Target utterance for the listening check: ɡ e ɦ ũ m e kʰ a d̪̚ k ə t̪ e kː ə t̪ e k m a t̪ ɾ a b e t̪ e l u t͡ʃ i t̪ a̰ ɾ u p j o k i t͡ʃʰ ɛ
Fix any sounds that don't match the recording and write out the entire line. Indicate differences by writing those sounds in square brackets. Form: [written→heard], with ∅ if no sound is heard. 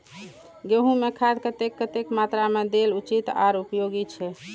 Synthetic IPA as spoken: ɡ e ɦ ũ m e kʰ a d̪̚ k ə t̪ e kː ə t̪ e k m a t̪ ɾ a [b→m] e [t̪→d̪] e l u t͡ʃ i t̪ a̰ ɾ u p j o [k→ɡ] i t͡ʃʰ ɛ